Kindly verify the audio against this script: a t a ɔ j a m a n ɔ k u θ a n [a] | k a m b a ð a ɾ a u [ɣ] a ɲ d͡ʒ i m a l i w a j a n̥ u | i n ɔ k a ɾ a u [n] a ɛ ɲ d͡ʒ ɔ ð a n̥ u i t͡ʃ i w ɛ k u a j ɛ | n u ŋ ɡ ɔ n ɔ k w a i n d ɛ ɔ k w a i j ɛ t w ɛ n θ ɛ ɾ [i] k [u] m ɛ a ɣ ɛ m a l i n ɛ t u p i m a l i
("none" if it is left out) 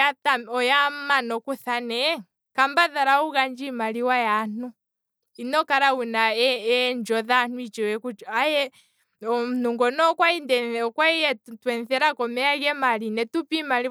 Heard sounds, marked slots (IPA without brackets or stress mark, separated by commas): ɛ, ɣ, n, a, ɔ